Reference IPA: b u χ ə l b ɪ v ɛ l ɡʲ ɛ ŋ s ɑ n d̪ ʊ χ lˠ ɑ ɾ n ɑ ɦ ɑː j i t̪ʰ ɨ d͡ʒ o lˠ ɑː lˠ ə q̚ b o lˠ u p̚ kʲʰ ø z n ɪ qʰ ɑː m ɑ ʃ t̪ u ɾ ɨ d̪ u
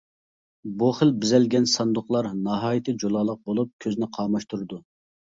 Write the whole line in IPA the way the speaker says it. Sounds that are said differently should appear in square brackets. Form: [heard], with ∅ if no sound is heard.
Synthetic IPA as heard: b u χ ə l b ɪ [z] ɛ l ɡʲ ɛ [n] s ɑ n d̪ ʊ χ lˠ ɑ ɾ n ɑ ɦ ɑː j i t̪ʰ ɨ d͡ʒ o lˠ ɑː lˠ ə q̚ b o lˠ u p̚ kʲʰ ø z n ɪ qʰ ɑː m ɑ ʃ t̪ u ɾ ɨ d̪ u